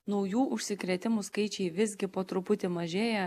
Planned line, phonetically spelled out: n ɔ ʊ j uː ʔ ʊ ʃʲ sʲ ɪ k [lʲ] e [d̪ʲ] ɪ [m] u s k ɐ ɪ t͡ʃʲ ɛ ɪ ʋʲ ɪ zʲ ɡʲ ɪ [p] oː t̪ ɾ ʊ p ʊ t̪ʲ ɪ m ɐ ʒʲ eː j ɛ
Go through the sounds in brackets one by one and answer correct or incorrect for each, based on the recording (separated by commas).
incorrect, incorrect, correct, correct